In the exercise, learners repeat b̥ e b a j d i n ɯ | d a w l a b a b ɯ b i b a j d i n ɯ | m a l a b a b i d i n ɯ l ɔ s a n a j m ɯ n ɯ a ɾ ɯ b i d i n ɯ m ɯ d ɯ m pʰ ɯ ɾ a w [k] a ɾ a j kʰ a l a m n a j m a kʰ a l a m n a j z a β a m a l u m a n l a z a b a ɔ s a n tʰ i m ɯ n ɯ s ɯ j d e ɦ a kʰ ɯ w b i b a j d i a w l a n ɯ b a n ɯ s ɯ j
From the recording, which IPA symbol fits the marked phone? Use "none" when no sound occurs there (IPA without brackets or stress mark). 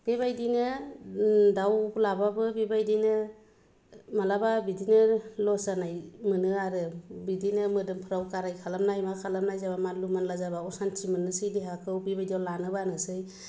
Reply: k